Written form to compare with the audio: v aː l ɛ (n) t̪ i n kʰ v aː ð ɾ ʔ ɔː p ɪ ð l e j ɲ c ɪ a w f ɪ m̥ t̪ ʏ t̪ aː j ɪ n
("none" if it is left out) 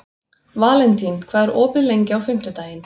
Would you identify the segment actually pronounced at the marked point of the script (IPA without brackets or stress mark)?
n